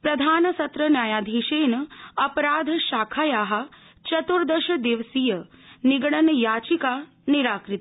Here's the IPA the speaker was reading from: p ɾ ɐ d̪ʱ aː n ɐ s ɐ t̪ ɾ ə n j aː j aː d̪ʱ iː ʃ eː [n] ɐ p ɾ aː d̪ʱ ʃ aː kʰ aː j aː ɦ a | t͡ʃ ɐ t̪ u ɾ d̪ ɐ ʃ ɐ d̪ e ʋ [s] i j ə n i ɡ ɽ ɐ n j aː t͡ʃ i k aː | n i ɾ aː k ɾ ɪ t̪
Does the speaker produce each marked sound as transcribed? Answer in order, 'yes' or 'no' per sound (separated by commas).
yes, yes